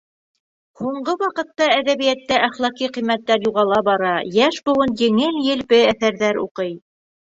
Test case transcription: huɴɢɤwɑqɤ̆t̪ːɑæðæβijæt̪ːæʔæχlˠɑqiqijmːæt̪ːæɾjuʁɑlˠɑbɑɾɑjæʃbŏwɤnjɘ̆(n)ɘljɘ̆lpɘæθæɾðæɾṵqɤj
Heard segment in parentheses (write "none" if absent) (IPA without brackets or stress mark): ŋ